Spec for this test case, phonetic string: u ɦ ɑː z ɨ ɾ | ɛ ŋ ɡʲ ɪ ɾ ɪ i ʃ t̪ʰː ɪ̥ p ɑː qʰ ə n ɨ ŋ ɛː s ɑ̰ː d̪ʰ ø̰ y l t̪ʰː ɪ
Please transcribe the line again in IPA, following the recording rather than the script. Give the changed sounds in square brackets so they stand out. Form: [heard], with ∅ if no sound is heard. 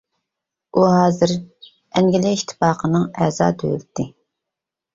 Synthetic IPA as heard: u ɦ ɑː z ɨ ɾ | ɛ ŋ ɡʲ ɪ [l] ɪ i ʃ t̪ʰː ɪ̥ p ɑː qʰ ə n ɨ ŋ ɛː [z] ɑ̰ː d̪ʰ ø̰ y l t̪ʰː ɪ